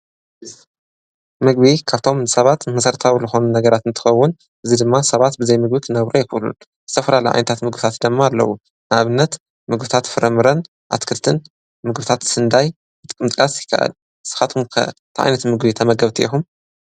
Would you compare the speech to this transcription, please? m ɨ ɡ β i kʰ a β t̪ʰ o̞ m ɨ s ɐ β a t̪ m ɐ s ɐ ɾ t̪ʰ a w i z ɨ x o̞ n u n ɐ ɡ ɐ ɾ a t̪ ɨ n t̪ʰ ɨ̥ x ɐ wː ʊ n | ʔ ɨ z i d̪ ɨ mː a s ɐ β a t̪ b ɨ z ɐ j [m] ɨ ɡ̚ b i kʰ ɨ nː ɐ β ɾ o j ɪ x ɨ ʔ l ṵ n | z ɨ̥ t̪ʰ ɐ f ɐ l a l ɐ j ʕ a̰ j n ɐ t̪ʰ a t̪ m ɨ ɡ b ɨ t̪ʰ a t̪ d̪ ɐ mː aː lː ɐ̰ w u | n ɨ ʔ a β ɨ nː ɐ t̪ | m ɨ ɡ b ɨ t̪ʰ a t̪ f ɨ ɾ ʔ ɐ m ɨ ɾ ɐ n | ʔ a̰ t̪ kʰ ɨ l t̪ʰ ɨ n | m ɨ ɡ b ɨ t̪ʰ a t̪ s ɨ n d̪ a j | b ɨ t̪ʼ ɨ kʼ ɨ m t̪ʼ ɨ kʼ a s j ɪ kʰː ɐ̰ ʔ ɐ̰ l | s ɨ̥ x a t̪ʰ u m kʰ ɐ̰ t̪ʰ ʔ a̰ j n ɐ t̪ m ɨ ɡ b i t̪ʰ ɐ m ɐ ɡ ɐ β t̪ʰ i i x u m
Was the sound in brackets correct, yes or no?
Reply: yes